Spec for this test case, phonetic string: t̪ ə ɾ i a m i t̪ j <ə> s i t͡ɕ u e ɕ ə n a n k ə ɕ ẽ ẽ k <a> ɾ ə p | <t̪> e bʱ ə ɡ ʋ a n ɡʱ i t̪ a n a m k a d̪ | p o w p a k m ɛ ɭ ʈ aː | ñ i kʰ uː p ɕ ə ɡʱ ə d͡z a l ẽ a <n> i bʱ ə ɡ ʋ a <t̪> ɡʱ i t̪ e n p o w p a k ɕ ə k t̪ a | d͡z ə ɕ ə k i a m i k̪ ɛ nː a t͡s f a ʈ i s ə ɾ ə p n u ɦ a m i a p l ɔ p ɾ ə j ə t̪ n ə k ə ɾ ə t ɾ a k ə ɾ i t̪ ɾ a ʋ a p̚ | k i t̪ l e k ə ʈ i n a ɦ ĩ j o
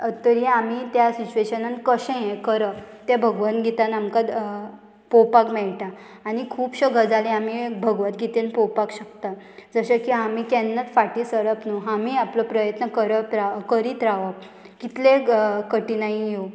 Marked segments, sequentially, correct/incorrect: incorrect: a, incorrect: ə, correct, incorrect: m, correct

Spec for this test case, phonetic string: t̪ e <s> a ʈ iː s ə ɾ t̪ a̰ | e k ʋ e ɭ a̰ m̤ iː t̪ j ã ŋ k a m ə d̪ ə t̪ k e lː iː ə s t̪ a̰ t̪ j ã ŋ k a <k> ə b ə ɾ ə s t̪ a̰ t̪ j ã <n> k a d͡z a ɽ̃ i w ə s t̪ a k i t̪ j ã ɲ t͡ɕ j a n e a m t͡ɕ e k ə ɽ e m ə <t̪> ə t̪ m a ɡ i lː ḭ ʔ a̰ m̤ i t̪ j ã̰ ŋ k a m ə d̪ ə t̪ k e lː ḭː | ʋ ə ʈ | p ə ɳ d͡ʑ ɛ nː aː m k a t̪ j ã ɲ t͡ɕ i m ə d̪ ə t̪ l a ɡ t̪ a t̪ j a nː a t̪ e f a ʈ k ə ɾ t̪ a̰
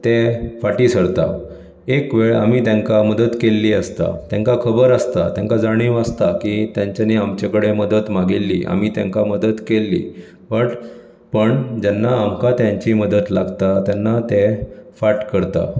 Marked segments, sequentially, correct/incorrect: incorrect: f, incorrect: kʰ, incorrect: ŋ, incorrect: d̪

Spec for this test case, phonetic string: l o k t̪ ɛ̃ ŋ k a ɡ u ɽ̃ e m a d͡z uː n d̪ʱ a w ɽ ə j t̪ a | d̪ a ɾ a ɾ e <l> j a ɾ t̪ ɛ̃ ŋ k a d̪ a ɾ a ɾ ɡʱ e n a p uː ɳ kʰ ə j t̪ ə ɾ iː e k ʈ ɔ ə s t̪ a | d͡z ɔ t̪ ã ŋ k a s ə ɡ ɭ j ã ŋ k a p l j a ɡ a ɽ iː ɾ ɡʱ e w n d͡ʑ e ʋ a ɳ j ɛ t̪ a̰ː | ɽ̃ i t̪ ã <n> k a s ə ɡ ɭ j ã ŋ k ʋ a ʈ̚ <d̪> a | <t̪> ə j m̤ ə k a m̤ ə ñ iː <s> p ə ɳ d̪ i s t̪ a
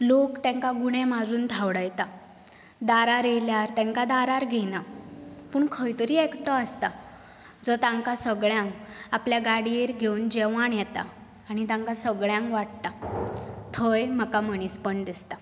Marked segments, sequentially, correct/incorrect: correct, incorrect: ŋ, incorrect: t̪, incorrect: t̪ʰ, correct

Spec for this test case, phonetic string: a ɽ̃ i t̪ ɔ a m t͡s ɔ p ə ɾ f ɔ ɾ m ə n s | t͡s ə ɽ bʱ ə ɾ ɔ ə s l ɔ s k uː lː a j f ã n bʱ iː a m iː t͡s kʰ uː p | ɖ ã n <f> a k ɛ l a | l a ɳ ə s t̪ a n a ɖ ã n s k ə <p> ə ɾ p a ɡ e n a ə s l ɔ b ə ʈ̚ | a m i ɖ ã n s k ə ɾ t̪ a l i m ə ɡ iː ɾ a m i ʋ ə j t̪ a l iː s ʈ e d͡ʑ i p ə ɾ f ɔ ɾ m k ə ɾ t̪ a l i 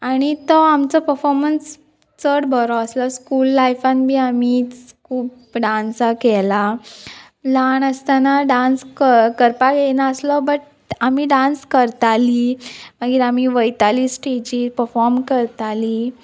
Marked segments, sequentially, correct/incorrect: incorrect: s, incorrect: k

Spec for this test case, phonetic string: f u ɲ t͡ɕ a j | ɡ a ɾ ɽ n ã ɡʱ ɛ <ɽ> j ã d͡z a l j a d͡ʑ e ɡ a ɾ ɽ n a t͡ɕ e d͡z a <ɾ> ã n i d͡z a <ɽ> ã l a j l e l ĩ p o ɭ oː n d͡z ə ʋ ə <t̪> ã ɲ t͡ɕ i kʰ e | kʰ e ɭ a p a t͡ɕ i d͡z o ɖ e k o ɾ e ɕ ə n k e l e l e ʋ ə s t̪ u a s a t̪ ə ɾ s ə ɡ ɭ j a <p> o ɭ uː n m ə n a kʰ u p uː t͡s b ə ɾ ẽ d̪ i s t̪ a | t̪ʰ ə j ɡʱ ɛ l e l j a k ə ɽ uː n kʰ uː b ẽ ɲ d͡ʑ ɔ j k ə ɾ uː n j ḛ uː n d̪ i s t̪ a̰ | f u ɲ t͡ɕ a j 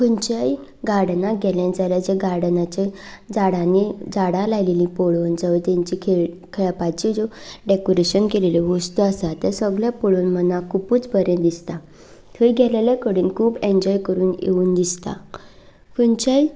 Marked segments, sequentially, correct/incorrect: incorrect: l, incorrect: ɽ, correct, correct, correct

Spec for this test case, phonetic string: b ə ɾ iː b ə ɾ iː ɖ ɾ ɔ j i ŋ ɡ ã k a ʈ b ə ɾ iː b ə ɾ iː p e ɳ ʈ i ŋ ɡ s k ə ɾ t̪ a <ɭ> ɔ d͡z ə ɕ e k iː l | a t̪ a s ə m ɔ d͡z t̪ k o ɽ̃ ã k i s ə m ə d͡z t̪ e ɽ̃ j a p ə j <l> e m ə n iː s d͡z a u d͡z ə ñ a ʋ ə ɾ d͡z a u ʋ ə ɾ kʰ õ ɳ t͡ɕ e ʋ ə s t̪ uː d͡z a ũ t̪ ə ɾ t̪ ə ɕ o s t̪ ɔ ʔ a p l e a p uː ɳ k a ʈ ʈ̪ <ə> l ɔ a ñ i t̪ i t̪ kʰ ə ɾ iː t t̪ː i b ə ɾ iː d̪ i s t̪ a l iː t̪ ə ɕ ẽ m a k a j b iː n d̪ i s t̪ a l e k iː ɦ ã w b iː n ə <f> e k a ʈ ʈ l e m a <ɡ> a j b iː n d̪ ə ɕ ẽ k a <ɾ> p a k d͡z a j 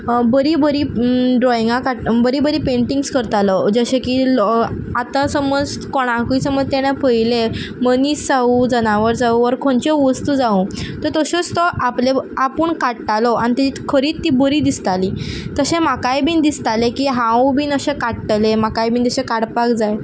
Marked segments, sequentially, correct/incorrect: incorrect: l, correct, incorrect: a, incorrect: ɕ, incorrect: k, incorrect: ɽ

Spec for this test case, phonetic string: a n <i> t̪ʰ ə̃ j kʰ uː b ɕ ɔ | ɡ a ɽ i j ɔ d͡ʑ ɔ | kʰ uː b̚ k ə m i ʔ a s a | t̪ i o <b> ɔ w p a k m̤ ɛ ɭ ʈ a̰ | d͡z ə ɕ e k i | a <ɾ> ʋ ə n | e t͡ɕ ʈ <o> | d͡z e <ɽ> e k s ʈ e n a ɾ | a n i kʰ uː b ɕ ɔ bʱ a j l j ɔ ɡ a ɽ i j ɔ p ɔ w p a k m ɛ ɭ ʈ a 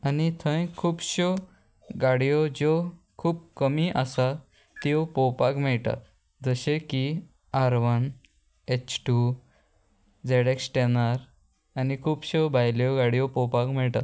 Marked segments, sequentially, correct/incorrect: correct, incorrect: p, correct, incorrect: u, correct

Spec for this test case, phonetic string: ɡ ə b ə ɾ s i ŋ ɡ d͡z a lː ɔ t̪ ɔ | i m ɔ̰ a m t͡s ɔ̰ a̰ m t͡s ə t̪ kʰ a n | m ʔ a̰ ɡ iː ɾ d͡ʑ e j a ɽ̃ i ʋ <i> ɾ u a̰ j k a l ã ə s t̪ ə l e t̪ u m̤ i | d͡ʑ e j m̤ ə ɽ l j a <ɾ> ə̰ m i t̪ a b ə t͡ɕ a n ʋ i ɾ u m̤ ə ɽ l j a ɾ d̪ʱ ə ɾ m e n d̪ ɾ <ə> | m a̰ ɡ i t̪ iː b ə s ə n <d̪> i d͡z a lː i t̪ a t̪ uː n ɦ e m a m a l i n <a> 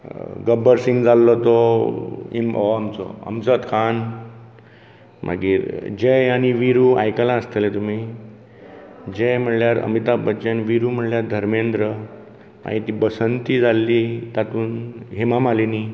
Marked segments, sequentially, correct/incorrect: correct, correct, correct, incorrect: t̪, incorrect: i

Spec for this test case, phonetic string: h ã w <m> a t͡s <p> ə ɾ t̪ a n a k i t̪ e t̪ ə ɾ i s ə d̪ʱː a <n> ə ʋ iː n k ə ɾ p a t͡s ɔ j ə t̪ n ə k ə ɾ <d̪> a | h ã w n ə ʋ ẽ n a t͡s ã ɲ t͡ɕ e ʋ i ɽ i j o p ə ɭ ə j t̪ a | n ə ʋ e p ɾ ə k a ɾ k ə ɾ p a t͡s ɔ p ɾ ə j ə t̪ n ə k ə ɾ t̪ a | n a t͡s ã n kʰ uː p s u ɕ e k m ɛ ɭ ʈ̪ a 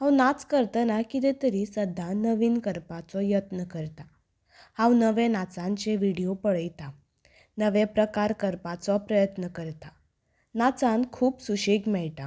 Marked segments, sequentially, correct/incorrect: incorrect: n, incorrect: k, correct, incorrect: t̪

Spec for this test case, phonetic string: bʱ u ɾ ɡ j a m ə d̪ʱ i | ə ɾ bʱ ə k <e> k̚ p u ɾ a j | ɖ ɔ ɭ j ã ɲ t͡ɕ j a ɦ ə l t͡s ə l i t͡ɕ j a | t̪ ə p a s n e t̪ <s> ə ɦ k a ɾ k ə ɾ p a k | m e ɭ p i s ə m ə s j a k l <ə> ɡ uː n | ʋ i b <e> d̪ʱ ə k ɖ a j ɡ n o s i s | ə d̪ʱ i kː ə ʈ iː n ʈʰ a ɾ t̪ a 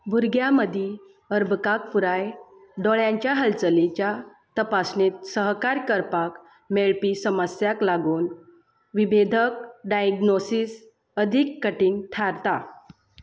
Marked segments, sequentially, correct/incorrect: incorrect: a, correct, incorrect: a, correct

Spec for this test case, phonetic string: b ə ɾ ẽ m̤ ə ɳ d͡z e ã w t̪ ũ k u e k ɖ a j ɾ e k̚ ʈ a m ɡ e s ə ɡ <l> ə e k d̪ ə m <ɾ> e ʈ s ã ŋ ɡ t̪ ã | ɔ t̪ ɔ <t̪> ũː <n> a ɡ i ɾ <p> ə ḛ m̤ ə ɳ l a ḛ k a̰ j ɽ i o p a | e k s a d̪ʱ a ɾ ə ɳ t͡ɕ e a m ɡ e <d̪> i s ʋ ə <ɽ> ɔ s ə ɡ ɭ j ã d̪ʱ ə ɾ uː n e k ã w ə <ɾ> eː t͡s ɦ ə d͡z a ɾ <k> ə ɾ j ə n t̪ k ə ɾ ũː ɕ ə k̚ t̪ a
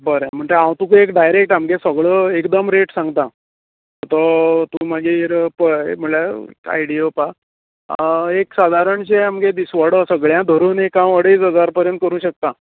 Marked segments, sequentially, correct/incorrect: incorrect: ɭ, correct, correct, incorrect: m, correct, correct, correct, incorrect: ɽ, incorrect: p

